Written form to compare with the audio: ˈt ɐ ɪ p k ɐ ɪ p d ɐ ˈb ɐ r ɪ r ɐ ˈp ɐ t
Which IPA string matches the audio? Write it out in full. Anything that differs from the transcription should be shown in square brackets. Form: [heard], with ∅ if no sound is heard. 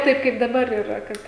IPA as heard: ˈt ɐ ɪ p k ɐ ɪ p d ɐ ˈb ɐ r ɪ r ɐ [ˈk] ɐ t